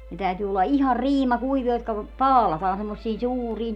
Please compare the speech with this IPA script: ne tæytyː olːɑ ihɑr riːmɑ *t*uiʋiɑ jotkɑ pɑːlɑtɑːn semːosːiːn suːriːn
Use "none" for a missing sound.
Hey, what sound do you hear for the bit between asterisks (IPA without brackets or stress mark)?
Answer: k